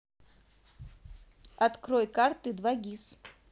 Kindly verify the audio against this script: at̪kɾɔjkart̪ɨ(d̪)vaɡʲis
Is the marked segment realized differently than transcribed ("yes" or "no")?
no